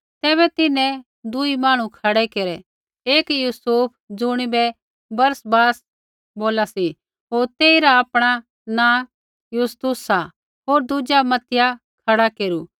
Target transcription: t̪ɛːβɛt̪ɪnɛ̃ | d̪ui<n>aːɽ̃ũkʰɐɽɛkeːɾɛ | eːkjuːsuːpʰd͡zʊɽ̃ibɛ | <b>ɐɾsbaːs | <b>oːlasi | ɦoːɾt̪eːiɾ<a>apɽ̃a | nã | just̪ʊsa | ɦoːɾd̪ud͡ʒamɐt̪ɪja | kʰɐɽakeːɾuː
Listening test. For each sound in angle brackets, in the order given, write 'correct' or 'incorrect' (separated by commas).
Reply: incorrect, correct, correct, correct